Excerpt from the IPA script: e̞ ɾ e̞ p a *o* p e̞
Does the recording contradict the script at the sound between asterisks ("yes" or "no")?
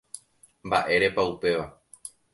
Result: yes